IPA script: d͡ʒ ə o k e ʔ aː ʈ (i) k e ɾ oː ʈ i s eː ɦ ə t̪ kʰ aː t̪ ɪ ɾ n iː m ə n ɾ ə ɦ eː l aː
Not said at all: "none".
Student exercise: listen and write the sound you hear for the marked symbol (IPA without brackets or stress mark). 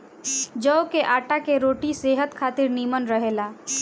a